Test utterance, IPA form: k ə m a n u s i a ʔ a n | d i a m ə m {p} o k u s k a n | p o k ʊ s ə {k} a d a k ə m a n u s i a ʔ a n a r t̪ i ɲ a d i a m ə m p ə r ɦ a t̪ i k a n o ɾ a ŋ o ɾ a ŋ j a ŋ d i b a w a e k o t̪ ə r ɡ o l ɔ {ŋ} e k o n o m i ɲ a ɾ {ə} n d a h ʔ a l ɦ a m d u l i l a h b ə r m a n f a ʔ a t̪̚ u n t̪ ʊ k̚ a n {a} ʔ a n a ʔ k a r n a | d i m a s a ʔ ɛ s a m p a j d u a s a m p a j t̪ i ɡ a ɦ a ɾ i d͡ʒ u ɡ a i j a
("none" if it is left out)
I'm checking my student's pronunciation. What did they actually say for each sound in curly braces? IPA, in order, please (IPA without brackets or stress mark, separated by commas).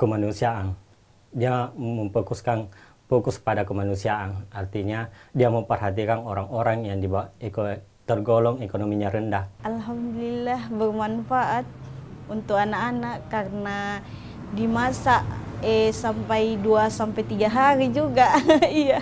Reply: p, p, ŋ, ə, a